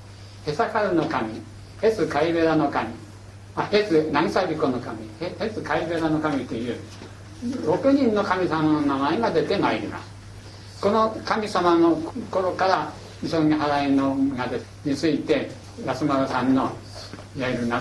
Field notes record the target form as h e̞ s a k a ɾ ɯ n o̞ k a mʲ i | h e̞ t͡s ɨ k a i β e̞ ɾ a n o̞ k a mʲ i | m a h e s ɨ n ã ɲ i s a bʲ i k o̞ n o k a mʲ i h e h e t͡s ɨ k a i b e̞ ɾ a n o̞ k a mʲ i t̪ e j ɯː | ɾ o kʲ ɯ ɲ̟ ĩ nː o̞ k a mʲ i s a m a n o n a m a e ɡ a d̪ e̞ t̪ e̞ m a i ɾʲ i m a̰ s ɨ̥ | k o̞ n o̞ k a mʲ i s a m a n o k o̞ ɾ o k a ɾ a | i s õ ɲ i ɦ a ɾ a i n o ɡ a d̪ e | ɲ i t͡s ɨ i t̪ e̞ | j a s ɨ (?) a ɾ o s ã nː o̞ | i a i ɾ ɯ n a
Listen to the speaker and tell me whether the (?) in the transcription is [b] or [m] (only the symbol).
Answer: m